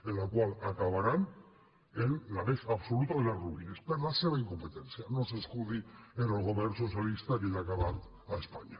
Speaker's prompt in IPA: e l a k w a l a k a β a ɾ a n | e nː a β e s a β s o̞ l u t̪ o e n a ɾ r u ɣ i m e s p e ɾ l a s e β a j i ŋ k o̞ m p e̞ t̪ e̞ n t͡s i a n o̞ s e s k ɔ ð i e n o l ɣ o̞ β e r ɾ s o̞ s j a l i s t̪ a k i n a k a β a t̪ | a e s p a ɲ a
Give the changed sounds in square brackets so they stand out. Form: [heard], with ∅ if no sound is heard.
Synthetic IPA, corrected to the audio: e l a k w a l a k a β a ɾ a n | e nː a β e s a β s o̞ l u t̪ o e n a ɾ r u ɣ i [n] e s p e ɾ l a s e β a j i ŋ k o̞ m p e̞ t̪ e̞ n t͡s i a n o̞ s e s k [u] ð i e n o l ɣ o̞ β e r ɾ s o̞ s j a l i s t̪ a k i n a k a β a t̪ | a e s p a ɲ a